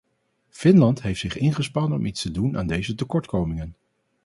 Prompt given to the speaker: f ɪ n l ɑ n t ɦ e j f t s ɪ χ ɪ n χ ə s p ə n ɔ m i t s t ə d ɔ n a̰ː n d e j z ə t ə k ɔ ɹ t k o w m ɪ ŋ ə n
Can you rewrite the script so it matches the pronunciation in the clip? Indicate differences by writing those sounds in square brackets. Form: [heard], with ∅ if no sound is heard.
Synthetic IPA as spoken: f ɪ n l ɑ n t ɦ e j f t s ɪ χ ɪ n χ ə s p [ɑ] n ɔ m i t s t ə d [u] n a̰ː n d e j z ə t ə k ɔ ɹ t k o w m ɪ ŋ ə n